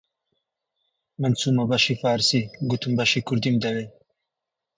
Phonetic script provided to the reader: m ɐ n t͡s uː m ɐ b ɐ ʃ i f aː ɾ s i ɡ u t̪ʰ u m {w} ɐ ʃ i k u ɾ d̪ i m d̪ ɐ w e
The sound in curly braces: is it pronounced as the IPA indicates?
no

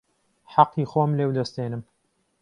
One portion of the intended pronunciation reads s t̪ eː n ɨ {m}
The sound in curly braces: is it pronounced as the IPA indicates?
yes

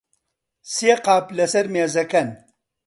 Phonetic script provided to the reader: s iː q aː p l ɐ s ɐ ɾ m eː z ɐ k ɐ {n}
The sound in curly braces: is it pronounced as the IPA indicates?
yes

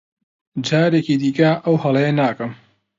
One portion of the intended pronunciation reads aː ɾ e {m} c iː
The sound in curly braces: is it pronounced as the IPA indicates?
no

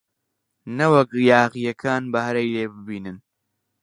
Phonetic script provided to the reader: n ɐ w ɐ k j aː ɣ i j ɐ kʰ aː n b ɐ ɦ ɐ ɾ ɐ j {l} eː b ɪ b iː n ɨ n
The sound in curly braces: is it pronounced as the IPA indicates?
yes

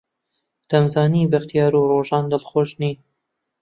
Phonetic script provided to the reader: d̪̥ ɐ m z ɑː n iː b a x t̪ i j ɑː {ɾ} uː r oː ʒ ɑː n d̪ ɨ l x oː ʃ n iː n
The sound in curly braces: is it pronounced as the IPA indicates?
yes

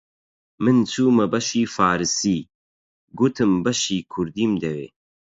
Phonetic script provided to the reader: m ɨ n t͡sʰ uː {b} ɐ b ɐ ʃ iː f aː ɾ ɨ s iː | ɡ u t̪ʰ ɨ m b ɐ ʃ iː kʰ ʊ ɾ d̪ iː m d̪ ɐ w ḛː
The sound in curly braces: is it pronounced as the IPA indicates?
no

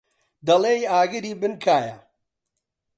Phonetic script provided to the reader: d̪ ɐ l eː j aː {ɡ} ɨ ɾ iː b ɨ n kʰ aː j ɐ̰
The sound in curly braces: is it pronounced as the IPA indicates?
yes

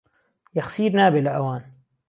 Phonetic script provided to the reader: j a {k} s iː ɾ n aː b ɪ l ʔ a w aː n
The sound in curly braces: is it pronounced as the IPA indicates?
no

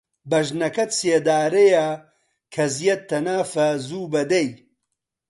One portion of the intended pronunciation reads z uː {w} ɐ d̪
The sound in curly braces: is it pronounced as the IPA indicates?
no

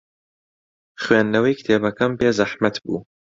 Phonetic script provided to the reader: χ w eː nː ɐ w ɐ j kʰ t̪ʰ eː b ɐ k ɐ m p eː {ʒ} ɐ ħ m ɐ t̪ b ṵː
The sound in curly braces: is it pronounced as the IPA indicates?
no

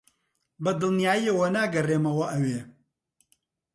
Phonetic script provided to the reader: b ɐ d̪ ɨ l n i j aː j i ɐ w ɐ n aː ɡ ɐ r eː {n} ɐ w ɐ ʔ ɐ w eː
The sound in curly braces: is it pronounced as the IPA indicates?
no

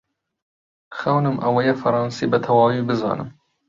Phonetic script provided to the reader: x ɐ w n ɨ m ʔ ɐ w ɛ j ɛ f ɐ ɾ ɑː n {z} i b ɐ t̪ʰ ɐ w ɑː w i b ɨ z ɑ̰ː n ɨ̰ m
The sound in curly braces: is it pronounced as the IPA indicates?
no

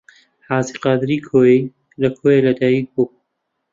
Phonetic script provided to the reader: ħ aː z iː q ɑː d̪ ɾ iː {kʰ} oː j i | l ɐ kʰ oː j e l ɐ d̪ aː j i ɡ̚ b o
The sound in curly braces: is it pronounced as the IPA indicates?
yes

